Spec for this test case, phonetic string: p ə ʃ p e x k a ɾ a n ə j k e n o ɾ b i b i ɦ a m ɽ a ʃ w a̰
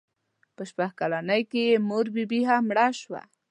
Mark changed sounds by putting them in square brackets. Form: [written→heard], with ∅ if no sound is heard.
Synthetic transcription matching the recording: p ə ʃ p [e→a] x k a [ɾ→l] a n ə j k e [n→m] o ɾ b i b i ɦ a m ɽ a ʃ w a̰